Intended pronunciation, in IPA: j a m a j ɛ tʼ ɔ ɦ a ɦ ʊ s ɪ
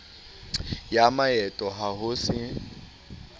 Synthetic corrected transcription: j a m a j ɛ tʼ ɔ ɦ a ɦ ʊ s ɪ